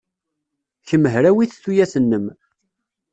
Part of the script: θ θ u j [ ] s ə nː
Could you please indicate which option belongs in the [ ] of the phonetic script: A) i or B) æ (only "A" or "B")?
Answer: B